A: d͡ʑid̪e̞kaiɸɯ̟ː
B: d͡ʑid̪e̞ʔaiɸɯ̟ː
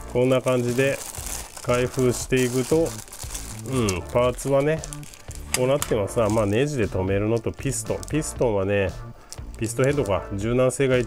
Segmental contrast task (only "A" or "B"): A